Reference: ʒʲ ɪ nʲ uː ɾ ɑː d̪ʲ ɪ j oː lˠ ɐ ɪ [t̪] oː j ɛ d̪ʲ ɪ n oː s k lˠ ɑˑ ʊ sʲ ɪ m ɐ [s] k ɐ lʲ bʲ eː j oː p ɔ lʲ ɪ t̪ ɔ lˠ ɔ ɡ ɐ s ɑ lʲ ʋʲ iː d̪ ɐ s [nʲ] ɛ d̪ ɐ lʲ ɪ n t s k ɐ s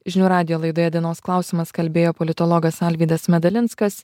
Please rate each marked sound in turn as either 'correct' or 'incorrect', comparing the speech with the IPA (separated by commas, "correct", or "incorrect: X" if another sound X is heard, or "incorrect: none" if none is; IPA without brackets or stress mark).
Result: incorrect: d̪, correct, incorrect: mʲ